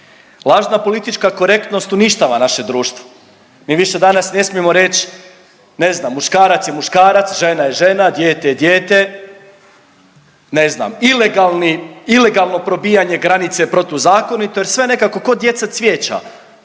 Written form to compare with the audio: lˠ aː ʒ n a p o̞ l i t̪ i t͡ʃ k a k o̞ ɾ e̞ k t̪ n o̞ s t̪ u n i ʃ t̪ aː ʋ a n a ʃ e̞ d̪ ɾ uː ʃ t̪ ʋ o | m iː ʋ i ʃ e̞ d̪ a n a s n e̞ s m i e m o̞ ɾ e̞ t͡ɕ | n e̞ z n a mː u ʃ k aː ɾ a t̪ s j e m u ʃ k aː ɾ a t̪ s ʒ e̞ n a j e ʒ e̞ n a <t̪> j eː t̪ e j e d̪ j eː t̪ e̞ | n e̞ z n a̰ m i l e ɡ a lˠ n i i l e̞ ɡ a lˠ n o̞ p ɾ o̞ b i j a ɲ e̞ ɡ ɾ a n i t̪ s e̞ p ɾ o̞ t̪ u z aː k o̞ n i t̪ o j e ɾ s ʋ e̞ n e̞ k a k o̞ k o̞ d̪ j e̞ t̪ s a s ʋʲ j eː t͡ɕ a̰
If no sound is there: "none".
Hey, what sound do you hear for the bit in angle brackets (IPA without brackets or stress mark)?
d̪